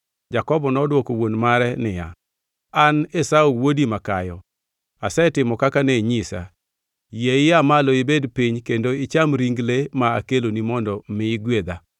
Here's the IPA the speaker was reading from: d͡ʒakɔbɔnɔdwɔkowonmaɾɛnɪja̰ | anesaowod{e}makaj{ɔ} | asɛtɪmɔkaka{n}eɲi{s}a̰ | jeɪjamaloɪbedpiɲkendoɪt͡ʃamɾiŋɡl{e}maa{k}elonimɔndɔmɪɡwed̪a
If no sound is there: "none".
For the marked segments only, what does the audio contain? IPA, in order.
i, ɔ, n, s, e, k

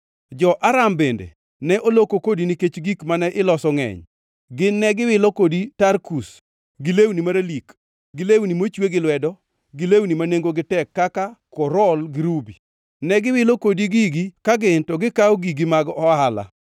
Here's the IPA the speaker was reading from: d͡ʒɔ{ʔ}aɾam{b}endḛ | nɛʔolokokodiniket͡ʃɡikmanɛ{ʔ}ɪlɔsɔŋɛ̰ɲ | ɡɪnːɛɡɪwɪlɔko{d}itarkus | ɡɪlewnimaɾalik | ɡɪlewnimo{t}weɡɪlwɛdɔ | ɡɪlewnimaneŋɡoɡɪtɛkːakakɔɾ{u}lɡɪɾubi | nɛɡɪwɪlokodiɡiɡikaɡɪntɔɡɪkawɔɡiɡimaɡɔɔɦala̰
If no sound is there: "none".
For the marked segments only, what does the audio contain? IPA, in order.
ʔ, b, ʔ, d, t͡ʃ, ɔ

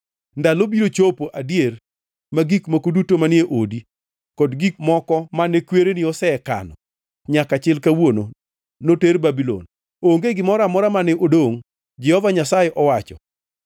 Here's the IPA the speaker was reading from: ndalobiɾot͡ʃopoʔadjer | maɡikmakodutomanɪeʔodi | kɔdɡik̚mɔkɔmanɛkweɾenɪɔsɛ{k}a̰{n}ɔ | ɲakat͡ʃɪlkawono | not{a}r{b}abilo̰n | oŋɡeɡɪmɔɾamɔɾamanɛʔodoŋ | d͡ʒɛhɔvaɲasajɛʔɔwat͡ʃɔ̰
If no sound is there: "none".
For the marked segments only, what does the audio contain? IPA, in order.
k, n, e, b

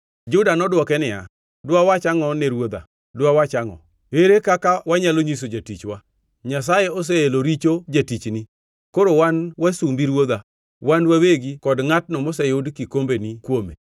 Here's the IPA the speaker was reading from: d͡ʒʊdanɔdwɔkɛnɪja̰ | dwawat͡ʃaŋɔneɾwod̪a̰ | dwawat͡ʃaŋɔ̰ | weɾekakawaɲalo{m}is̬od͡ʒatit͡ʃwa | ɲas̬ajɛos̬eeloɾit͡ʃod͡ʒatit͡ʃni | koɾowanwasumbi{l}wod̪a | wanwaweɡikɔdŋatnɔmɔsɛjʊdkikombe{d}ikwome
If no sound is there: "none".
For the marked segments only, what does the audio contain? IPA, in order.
ɲ, ɾ, n

